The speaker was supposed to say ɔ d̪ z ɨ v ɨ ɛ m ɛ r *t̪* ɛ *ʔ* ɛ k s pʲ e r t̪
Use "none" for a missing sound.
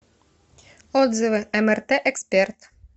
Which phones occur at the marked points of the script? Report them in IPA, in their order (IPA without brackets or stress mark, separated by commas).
t̪, ʔ